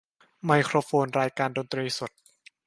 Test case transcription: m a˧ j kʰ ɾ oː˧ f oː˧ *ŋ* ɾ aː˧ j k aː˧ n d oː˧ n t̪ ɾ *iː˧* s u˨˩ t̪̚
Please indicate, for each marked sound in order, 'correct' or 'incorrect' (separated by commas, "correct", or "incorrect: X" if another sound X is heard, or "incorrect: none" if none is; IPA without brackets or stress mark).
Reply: incorrect: n, correct